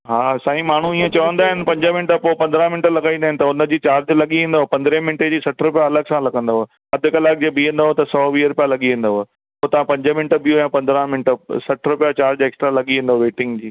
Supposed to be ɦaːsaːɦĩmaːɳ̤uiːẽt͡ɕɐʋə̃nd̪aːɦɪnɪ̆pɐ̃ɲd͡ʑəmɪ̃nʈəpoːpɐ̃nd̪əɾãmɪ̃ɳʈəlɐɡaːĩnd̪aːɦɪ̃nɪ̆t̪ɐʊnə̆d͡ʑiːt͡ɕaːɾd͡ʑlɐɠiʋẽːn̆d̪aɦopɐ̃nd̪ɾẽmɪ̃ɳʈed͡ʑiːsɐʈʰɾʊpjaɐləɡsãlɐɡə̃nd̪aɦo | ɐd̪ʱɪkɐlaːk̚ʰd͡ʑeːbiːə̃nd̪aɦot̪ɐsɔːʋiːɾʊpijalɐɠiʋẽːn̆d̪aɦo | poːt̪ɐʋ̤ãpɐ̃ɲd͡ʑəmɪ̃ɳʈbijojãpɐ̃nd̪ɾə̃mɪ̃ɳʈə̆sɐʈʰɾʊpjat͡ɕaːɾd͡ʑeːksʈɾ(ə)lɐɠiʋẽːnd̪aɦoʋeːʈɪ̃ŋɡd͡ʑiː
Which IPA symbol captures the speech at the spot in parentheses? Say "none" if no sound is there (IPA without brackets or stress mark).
a